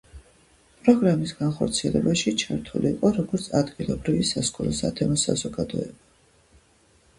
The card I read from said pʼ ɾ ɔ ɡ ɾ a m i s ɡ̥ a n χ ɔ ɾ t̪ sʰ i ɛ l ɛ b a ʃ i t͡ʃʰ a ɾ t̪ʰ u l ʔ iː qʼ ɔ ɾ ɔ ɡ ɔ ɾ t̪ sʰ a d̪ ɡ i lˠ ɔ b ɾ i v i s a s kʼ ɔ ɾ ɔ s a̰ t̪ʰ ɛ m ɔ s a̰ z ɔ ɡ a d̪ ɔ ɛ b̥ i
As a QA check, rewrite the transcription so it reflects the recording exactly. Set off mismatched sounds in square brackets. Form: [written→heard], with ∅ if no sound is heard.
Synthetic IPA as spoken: pʼ ɾ ɔ ɡ ɾ a m i s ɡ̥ a n χ ɔ ɾ t̪ sʰ i ɛ l ɛ b a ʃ i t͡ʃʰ a ɾ t̪ʰ u l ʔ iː qʼ ɔ ɾ ɔ ɡ ɔ ɾ t̪ sʰ a d̪ ɡ i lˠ ɔ b ɾ i v i s a s kʼ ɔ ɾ ɔ s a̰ t̪ʰ ɛ m ɔ s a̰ z ɔ ɡ a d̪ ɔ ɛ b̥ [i→a]